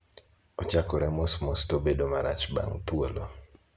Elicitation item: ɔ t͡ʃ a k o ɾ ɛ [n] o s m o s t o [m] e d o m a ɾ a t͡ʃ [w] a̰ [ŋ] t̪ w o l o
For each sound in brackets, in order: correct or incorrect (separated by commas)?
incorrect, incorrect, incorrect, correct